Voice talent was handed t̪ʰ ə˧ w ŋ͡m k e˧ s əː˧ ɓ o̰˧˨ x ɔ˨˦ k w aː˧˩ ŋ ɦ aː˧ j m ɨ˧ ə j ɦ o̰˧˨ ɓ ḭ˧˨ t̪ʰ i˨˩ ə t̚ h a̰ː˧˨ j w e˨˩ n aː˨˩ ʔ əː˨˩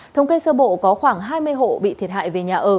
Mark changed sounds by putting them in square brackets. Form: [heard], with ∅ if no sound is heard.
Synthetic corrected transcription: t̪ʰ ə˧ w ŋ͡m k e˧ s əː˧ ɓ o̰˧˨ [k] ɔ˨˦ [x] w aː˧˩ ŋ ɦ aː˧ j m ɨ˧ ə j ɦ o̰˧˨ ɓ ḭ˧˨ t̪ʰ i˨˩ ə t̚ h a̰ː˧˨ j [v] e˨˩ [ɲ] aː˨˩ ʔ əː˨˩